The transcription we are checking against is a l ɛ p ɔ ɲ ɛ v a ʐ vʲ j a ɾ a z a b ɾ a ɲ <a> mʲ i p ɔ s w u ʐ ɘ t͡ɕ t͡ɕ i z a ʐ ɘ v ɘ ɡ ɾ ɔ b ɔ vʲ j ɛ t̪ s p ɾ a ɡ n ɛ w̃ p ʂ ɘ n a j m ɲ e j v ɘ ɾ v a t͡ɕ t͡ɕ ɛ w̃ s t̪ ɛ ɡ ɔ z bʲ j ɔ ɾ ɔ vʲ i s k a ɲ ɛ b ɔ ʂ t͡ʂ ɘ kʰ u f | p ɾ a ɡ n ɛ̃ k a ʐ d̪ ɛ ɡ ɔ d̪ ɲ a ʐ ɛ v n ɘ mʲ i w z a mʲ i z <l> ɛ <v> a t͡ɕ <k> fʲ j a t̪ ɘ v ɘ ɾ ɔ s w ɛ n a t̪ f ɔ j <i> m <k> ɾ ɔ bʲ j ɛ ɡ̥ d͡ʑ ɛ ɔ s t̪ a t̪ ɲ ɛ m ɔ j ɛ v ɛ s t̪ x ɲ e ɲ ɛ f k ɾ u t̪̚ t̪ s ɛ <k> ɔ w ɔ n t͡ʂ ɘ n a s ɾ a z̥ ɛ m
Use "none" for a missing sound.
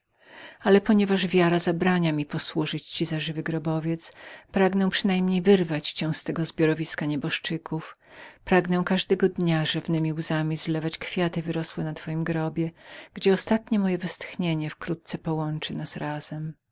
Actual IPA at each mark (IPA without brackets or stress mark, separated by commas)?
a, l, v, k, i, ɡ, p